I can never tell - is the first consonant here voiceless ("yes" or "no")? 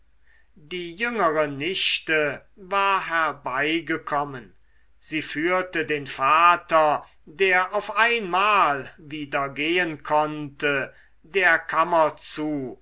no